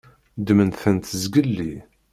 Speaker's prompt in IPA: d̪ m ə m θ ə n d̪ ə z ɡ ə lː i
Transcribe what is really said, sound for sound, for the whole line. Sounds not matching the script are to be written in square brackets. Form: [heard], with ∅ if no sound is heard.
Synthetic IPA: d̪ m ə [n] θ ə n [t̪] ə z ɡ ə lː i